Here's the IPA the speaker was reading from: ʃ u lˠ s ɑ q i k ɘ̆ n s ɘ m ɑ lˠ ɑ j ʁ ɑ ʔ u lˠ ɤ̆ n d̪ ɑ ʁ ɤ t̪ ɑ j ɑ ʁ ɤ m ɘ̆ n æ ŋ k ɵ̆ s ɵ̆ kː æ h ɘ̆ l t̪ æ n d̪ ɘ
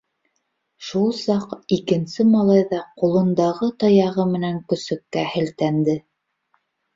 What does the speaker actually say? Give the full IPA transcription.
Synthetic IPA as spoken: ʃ u lˠ s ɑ q i k ɘ̆ n s ɘ m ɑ lˠ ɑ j ð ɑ q u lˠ ɤ̆ n d̪ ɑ ʁ ɤ t̪ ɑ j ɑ ʁ ɤ m ɘ̆ n æ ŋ k ɵ̆ s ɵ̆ kː æ h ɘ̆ l t̪ æ n d̪ ɘ